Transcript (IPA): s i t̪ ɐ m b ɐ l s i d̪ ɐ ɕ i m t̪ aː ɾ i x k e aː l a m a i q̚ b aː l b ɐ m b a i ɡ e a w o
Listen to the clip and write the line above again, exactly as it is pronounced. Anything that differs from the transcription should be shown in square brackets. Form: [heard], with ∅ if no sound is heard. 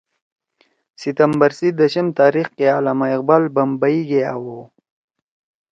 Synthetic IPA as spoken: s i t̪ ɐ m b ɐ [ɾ] s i d̪ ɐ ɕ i m t̪ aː ɾ i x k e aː l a m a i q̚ b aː l b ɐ m b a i ɡ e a w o